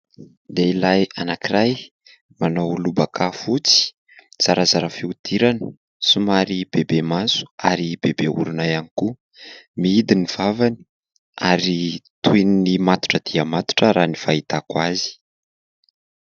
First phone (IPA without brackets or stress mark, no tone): d̪